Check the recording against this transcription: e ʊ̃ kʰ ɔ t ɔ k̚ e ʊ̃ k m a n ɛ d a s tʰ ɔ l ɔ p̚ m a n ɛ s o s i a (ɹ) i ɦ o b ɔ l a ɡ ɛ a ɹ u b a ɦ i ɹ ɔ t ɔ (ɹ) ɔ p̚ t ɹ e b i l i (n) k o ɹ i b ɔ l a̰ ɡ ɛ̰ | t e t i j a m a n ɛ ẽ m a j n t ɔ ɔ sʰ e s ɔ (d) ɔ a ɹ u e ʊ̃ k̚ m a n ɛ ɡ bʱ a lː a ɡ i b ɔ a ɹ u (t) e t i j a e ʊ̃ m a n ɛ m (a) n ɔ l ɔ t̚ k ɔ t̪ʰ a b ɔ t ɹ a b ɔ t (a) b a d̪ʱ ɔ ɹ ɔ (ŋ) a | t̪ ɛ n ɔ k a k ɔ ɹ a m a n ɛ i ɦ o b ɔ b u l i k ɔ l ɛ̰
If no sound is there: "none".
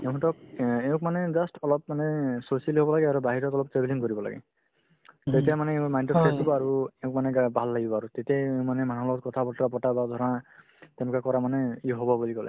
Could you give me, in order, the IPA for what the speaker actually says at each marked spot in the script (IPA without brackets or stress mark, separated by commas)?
l, l, ŋ, b, t, a, a, n